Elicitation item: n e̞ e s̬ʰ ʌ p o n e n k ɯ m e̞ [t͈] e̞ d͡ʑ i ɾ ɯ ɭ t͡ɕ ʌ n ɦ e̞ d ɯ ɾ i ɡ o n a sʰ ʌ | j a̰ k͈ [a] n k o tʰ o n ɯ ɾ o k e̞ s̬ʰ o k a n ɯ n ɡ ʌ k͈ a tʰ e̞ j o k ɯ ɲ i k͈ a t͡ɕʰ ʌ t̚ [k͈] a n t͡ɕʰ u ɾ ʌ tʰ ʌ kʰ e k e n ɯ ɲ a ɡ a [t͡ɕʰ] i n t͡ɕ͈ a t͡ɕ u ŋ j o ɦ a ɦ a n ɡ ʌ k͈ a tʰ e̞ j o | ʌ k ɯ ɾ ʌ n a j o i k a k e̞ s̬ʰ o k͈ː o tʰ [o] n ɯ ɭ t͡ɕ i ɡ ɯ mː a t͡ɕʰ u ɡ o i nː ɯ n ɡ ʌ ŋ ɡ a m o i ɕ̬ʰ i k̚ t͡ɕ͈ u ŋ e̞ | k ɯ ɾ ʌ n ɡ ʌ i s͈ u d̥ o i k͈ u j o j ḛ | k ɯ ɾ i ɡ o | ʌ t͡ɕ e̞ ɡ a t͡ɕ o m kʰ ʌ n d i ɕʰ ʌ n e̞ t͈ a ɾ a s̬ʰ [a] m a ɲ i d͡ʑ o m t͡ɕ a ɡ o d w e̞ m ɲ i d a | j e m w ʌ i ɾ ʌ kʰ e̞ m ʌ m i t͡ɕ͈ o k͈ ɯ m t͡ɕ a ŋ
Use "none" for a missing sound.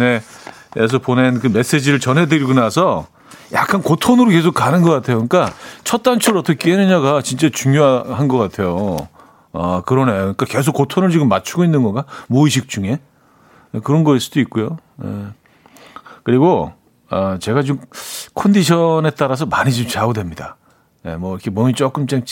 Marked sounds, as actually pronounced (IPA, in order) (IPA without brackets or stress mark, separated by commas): s͈, a, t͈, t͡ɕ, o, ʌ